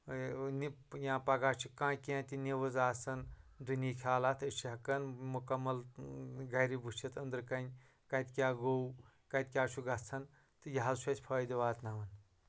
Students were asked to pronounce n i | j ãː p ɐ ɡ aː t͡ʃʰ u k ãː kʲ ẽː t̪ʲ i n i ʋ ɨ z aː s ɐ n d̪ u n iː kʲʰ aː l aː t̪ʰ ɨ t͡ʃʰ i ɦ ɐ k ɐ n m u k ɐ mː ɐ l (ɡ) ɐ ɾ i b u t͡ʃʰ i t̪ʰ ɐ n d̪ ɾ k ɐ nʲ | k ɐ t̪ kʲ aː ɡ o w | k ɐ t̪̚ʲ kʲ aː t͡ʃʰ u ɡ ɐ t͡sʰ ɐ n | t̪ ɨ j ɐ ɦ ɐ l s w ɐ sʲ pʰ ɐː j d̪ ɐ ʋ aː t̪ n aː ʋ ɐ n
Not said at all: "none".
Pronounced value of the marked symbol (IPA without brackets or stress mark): ɡ